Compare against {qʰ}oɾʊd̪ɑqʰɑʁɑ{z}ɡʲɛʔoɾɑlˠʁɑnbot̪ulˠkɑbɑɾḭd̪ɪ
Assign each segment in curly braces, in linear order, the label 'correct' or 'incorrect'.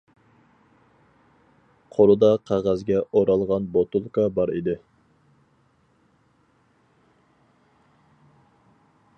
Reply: correct, correct

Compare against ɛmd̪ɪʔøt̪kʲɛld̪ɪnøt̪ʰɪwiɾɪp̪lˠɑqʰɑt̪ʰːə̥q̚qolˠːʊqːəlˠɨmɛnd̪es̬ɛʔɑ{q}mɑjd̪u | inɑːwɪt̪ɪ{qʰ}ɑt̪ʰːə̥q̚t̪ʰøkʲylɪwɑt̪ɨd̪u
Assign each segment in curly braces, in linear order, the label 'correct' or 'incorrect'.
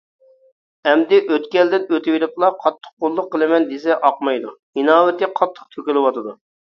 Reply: correct, correct

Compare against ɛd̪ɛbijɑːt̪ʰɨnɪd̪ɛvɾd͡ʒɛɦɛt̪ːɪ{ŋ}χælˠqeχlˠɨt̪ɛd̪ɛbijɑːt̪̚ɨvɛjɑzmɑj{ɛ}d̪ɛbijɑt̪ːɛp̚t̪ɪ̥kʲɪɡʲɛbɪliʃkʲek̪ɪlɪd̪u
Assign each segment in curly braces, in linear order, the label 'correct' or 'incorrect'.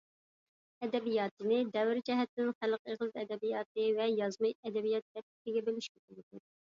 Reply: incorrect: n, correct

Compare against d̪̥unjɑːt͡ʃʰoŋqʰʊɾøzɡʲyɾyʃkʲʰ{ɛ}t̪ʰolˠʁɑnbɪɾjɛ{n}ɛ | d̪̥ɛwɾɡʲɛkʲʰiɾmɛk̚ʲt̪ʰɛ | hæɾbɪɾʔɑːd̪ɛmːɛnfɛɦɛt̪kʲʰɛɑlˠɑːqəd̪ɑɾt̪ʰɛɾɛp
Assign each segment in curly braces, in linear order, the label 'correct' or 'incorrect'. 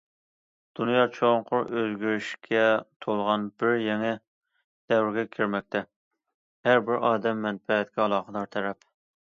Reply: correct, incorrect: ŋ

